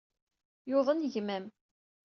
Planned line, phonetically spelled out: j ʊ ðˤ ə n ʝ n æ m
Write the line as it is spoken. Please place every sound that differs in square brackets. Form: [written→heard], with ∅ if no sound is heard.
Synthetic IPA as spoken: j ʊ ðˤ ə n ʝ [n→m] æ m